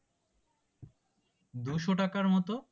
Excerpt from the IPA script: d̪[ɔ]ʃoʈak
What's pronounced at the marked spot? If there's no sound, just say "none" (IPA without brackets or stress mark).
u